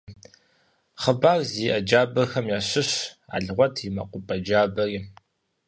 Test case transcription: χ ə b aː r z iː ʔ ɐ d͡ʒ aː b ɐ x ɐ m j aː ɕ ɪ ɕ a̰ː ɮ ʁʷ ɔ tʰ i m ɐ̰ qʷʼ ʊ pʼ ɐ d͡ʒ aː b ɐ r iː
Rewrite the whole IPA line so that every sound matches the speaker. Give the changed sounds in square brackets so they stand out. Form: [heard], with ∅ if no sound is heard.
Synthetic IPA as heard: χ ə b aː r z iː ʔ ɐ d͡ʒ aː b ɐ x ɐ m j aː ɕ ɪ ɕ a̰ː ɮ ʁʷ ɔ tʰ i m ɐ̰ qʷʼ ʊ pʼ ɐ d͡ʒ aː b ɐ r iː